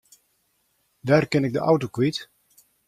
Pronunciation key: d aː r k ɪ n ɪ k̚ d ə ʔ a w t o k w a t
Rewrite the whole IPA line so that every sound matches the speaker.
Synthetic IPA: d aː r k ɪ n ɪ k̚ d ə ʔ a w t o k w i t